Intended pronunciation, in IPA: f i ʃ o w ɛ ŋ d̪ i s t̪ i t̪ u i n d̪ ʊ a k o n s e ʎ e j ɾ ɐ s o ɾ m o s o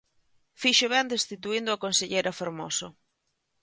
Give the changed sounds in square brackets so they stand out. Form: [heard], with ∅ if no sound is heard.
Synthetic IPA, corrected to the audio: f i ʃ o [β] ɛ [n] d̪ [e] s t̪ i t̪ u i n d̪ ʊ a k o n s e ʎ e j ɾ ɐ [f] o ɾ m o s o